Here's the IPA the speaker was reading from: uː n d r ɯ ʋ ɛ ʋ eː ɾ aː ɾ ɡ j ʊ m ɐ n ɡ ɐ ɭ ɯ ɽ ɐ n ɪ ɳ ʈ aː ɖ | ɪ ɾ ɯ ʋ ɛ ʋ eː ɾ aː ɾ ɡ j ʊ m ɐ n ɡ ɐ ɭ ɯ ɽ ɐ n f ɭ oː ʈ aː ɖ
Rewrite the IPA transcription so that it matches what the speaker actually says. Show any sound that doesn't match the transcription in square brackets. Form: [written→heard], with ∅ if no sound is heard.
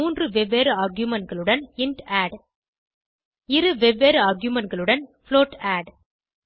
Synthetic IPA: uː n d r ɯ ʋ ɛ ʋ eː ɾ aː ɾ ɡ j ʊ m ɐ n ɡ ɐ ɭ ɯ ɽ ɐ n ɪ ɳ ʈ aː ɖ | ɪ ɾ ɯ ʋ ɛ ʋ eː ɾ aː ɾ ɡ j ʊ m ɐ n ɡ ɐ ɭ ɯ ɽ ɐ n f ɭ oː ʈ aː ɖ